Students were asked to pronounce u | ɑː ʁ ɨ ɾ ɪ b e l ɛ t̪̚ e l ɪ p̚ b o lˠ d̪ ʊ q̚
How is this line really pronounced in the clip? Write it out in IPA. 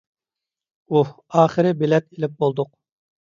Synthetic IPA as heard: u | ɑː χ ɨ ɾ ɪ b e l ɛ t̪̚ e l ɪ p̚ b o lˠ d̪ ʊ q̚